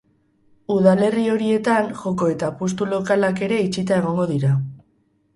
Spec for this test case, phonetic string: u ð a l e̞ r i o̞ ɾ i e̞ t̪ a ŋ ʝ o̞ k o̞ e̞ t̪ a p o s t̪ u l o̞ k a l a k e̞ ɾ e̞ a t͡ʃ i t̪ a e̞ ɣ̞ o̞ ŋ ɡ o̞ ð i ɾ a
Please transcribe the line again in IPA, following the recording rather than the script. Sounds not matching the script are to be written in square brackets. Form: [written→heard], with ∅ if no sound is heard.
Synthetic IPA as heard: u ð a l e̞ r i o̞ ɾ i e̞ t̪ a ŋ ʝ o̞ k o̞ e̞ t̪ a p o s t̪ u l o̞ k a l a k e̞ ɾ e̞ [a→i] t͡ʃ i t̪ a e̞ ɣ̞ o̞ ŋ ɡ o̞ ð i ɾ a